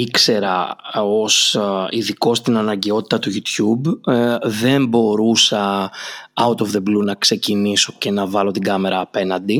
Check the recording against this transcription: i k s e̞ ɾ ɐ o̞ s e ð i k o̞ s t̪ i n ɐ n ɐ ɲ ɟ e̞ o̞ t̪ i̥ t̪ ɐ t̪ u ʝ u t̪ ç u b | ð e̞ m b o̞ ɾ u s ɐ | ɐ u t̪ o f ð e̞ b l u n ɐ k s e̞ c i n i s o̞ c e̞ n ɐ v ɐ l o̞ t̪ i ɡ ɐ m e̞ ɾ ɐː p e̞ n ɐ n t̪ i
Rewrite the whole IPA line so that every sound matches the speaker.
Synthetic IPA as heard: i k s e̞ ɾ ɐ o̞ s i ð i k o̞ s t̪ i n ɐ n ɐ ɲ ɟ e̞ o̞ t̪ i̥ t̪ ɐ t̪ u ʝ u t̪ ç u b | ð e̞ m b o̞ ɾ u s ɐ | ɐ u t̪ o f ð e̞ b l u n ɐ k s e̞ c i n i s o̞ c e̞ n ɐ v ɐ l o̞ t̪ i ɡ ɐ m e̞ ɾ ɐː p e̞ n ɐ n d̪ i